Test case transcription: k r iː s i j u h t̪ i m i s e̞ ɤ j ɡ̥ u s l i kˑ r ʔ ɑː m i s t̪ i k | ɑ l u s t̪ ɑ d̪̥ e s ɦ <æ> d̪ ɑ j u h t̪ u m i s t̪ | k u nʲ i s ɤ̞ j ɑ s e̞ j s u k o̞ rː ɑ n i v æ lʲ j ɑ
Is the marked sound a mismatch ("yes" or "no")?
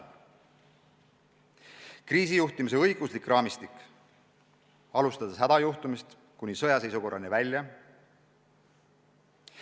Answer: no